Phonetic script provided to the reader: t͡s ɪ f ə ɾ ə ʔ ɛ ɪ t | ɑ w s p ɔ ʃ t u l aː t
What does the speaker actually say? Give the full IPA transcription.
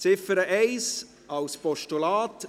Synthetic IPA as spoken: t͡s ɪ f ə ɾ ə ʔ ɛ ɪ s | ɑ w s p ɔ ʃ t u l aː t